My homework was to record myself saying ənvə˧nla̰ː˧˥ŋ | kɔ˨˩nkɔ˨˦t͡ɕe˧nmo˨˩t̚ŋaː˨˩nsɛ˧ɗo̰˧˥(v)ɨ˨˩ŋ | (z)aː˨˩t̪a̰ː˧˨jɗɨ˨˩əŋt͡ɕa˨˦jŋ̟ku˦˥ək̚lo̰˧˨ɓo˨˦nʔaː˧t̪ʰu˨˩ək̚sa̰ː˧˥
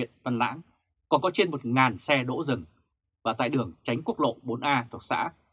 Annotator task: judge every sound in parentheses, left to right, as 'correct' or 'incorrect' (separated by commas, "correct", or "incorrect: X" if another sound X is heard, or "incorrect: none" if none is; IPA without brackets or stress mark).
incorrect: z, incorrect: v